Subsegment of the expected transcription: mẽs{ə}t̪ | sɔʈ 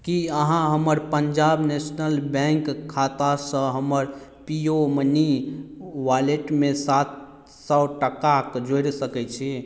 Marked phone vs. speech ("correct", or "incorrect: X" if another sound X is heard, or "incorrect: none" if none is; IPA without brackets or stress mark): incorrect: a